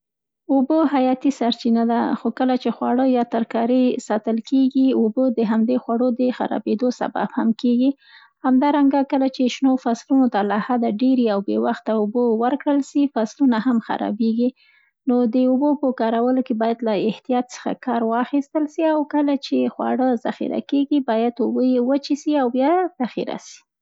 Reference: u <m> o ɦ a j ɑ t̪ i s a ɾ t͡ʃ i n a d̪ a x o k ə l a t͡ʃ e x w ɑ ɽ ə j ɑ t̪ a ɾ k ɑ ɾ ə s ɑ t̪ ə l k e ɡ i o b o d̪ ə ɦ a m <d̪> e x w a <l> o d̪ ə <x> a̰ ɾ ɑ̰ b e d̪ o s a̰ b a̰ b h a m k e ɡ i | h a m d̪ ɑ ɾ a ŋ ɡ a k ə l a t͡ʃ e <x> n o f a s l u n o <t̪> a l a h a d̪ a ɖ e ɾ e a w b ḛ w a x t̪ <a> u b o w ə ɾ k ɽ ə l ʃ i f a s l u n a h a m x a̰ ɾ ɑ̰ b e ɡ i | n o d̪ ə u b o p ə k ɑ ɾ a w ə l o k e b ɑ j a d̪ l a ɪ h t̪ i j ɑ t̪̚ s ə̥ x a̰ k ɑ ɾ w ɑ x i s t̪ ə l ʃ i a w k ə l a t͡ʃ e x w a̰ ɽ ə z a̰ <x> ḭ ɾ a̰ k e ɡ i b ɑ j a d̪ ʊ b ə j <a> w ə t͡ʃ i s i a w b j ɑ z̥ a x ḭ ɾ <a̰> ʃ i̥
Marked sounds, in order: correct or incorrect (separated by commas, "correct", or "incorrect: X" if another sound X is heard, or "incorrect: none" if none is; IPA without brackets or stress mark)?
incorrect: b, correct, incorrect: ɽ, correct, incorrect: ʃ, correct, correct, correct, incorrect: e, correct